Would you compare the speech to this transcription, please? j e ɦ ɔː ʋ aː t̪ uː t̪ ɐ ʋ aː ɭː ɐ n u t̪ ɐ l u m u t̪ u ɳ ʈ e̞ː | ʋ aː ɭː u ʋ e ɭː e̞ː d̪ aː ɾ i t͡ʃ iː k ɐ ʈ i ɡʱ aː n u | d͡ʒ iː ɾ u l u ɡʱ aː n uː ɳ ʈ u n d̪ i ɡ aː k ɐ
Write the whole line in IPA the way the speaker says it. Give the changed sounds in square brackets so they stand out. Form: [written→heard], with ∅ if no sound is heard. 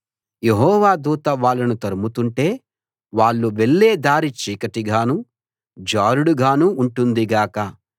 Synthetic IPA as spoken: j e ɦ ɔː ʋ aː [t̪→d̪] uː t̪ ɐ ʋ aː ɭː ɐ n u t̪ ɐ [l→ɾ] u m u t̪ u ɳ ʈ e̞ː | ʋ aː ɭː u ʋ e ɭː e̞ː d̪ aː ɾ i t͡ʃ iː k ɐ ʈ i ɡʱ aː n u | d͡ʒ [iː→aː] ɾ u [l→ɽ] u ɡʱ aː n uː ɳ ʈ u n d̪ i ɡ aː k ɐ